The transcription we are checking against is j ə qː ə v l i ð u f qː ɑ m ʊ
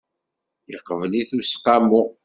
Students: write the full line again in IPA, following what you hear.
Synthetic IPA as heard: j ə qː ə v l i θ u s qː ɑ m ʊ